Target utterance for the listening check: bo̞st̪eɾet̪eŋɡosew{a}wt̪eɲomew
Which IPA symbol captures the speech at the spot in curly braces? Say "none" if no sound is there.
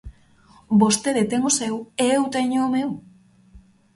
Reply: e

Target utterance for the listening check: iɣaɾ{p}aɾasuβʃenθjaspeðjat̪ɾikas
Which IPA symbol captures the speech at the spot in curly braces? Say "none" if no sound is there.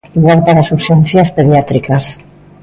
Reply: p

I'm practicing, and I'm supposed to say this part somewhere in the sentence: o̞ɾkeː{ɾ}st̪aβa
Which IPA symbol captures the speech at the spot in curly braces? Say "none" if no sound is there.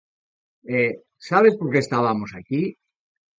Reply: none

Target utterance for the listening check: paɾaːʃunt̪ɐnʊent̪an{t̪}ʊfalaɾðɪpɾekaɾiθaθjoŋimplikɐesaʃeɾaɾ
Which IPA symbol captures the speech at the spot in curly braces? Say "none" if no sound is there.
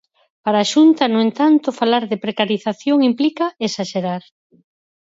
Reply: t̪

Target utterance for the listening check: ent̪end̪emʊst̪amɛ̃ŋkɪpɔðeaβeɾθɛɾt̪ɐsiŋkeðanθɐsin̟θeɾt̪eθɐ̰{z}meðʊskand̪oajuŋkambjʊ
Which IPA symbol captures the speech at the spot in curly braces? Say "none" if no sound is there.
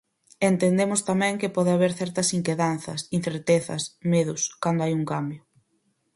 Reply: s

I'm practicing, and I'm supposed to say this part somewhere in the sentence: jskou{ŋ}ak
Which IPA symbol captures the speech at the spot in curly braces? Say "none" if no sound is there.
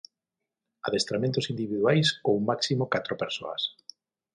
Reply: m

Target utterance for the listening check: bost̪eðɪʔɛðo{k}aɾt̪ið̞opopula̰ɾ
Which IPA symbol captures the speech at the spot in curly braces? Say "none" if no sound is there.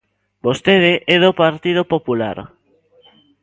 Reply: p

